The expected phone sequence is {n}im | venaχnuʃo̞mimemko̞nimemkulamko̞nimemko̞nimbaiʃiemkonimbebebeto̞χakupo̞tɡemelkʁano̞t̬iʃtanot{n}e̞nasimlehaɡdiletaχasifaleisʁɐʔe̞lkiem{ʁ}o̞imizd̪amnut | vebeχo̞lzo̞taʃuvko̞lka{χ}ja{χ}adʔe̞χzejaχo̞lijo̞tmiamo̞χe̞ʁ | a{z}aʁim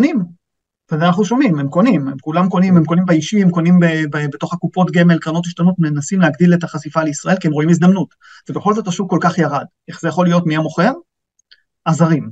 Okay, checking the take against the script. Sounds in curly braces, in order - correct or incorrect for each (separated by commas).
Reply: correct, incorrect, correct, correct, incorrect, correct